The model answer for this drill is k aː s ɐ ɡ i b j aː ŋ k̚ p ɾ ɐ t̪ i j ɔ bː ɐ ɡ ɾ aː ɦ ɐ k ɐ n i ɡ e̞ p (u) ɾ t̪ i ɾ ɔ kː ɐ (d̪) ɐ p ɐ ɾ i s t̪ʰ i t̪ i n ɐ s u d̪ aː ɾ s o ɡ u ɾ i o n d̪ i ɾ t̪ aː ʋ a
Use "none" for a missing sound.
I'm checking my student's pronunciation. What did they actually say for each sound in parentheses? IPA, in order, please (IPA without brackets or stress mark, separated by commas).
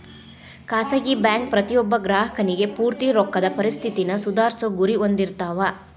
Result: uː, d̪